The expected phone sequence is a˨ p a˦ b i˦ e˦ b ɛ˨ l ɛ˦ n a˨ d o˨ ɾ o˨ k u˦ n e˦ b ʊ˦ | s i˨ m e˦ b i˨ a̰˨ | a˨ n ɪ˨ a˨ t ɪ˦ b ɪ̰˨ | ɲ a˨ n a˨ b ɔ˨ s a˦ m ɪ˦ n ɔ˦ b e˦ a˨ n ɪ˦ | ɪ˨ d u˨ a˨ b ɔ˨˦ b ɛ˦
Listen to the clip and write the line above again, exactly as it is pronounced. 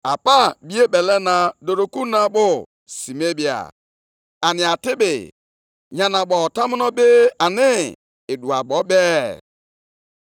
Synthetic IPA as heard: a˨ p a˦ b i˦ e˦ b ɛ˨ l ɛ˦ n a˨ d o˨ ɾ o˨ k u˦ n a˦ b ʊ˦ | s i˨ m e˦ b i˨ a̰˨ | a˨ n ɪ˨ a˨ t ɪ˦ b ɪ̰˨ | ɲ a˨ n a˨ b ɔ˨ t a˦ m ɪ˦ n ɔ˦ b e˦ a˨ n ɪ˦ | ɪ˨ d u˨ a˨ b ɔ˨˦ b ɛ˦